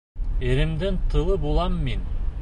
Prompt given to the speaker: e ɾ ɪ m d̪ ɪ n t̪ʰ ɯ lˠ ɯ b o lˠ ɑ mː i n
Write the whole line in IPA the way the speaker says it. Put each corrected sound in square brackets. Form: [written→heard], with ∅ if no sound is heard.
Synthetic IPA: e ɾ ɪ m d̪ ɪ n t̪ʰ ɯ lˠ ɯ b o lˠ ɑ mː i n